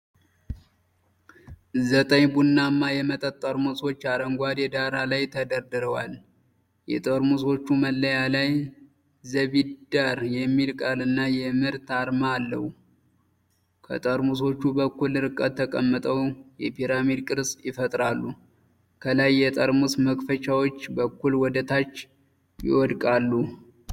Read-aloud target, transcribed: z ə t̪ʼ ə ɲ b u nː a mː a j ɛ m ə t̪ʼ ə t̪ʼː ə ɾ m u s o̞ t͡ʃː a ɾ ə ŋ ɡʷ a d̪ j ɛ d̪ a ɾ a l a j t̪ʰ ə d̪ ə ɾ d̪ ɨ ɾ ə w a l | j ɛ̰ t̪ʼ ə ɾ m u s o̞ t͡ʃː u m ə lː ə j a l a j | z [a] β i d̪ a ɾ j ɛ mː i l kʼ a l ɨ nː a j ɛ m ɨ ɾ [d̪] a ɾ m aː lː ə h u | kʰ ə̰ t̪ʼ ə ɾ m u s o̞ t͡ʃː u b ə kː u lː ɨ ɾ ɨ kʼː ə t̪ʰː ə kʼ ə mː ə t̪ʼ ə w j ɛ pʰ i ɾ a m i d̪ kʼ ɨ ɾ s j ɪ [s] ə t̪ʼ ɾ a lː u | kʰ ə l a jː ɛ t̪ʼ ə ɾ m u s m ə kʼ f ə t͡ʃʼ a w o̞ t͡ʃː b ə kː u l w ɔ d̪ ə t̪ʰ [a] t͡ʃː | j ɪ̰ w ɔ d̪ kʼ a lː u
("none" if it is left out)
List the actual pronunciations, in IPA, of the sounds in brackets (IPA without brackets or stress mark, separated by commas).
ə, t̪, f, a